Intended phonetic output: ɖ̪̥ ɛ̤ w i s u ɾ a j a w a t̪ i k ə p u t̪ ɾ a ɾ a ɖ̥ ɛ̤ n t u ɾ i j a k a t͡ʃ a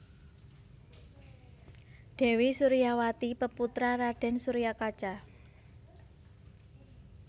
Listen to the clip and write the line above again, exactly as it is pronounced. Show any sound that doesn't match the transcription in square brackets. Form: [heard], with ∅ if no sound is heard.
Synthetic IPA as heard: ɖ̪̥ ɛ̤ w i s u ɾ [i] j a w a t̪ i [p] ə p u t̪ ɾ a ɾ a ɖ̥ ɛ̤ n [s] u ɾ i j a k a t͡ʃ a